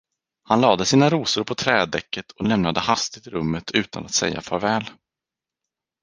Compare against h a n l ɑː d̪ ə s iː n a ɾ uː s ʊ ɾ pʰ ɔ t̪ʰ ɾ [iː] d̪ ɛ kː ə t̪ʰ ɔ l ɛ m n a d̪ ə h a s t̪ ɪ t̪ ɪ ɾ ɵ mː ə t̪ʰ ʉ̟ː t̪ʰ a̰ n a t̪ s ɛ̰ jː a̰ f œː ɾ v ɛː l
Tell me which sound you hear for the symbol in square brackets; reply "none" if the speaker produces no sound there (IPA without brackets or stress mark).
ɛː